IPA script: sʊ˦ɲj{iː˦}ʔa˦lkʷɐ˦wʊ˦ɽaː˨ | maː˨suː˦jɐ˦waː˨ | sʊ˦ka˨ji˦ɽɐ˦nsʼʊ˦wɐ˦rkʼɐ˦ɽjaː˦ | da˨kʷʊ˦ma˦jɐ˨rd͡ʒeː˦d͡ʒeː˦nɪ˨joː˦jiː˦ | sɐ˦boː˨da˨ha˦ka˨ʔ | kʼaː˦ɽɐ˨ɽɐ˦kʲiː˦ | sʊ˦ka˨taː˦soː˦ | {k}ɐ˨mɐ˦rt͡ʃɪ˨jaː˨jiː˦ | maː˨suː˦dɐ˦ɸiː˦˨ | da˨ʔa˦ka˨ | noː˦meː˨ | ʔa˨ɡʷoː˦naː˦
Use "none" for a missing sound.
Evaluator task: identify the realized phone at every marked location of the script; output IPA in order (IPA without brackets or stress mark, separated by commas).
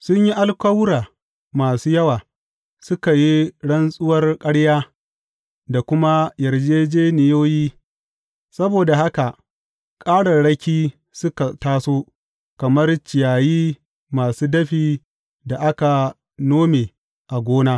i˦, k